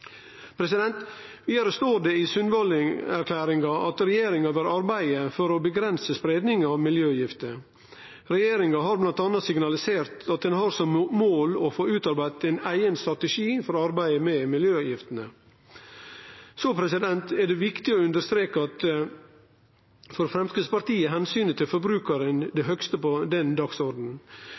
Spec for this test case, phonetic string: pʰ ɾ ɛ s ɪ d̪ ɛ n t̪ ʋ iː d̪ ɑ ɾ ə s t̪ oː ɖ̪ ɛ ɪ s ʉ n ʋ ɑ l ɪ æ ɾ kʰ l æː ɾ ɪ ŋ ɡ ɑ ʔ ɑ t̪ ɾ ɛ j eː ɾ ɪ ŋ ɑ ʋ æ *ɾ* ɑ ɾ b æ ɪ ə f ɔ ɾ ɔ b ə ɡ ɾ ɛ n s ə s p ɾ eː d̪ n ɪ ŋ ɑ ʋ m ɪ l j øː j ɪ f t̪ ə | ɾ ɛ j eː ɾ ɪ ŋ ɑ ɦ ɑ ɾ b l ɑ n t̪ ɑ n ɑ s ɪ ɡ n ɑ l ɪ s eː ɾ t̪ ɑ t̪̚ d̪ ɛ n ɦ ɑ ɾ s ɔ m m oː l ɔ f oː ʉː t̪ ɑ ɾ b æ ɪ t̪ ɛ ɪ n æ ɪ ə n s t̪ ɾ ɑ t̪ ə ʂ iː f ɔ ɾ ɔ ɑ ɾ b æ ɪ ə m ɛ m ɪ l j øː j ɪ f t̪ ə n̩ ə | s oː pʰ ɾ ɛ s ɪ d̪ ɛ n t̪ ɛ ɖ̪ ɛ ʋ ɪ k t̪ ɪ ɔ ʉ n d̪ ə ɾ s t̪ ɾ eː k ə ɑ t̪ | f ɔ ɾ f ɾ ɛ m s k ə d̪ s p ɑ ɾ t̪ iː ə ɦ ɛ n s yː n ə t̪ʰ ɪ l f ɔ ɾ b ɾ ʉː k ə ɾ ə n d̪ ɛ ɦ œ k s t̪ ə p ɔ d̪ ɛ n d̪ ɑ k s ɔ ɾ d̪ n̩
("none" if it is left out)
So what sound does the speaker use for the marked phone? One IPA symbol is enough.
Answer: ɾ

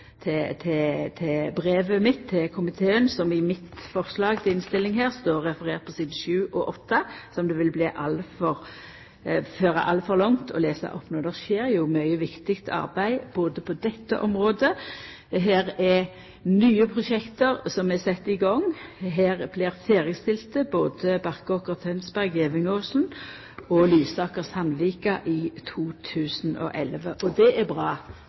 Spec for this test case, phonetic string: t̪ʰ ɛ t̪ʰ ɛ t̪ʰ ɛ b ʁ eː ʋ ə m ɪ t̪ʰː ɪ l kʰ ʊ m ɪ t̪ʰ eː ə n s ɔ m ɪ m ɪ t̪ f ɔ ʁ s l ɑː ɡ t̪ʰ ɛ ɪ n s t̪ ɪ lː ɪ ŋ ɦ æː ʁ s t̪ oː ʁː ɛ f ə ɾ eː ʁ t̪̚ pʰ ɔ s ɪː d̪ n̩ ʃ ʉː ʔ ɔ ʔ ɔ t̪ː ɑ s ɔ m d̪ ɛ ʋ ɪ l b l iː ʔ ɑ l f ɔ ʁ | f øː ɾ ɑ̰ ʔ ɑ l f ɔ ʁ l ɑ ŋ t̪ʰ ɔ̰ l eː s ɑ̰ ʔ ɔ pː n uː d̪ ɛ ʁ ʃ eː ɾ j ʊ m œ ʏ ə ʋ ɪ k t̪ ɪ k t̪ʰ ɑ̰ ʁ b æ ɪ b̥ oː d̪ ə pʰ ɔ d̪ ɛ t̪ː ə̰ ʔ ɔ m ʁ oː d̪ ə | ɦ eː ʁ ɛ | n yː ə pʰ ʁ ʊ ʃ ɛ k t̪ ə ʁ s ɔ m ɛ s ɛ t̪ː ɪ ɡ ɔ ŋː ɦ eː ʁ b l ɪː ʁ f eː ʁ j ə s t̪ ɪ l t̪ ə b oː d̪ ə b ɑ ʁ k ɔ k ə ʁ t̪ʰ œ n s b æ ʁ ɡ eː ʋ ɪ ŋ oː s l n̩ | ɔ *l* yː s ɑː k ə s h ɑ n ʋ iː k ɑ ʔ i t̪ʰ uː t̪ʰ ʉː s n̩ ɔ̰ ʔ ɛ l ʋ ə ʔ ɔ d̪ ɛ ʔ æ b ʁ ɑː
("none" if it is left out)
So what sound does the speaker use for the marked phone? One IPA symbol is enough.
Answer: l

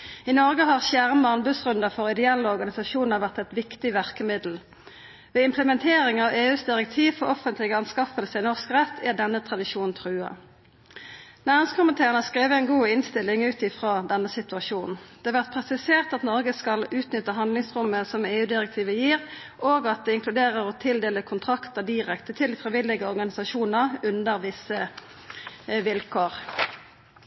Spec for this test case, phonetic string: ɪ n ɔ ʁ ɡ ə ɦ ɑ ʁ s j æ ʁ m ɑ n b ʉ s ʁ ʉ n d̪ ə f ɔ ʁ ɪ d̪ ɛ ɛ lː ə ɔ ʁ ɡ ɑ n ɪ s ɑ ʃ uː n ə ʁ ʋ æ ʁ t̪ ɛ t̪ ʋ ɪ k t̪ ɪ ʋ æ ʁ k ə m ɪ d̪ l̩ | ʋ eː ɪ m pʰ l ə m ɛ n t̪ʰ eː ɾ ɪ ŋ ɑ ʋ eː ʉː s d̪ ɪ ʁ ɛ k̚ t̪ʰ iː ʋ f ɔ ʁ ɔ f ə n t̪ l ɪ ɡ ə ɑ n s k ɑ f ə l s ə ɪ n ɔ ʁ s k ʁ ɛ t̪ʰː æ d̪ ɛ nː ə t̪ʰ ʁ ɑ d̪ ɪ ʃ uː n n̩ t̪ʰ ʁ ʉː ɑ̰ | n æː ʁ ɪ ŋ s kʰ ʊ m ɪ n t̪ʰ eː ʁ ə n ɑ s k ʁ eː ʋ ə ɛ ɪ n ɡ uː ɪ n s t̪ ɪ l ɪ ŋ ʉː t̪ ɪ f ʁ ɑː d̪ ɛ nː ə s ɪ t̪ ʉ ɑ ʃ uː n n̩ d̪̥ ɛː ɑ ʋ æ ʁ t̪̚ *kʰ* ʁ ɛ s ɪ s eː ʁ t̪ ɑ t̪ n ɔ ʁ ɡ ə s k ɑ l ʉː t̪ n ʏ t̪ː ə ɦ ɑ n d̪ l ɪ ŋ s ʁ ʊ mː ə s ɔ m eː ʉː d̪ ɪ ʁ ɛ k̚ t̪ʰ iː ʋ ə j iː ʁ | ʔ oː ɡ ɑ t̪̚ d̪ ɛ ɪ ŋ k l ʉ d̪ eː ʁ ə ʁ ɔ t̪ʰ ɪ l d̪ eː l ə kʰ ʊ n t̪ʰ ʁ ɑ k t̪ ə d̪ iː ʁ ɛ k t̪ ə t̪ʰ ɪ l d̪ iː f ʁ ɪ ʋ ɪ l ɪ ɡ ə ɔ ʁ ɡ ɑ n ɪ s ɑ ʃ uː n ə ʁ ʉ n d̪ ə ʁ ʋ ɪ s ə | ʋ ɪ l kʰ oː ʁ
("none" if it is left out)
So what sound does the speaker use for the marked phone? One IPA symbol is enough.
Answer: pʰ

